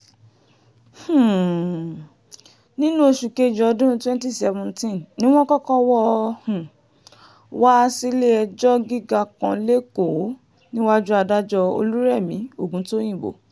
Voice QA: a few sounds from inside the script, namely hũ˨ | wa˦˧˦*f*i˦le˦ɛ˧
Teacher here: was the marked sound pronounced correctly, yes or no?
no